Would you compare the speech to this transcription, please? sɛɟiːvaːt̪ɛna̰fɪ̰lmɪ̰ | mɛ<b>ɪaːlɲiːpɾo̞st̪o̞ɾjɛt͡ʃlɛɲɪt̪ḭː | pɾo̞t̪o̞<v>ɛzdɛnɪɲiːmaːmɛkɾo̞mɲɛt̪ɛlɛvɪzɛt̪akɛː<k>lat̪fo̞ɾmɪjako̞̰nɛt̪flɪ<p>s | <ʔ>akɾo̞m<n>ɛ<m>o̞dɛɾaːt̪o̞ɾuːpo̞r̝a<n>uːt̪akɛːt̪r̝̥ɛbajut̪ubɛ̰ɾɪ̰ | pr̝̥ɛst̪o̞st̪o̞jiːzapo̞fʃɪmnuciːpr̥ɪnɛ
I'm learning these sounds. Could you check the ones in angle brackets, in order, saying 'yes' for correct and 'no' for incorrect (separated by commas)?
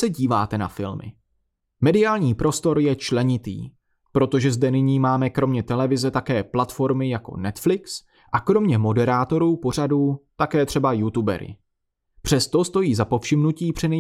no, no, no, no, yes, no, yes, no